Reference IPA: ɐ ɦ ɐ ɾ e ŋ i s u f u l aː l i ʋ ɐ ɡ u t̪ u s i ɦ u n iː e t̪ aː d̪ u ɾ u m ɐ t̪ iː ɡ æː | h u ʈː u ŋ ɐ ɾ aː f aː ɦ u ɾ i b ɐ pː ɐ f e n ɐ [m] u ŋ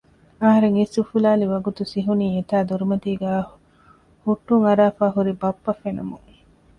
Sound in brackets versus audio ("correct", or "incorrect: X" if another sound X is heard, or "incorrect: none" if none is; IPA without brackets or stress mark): correct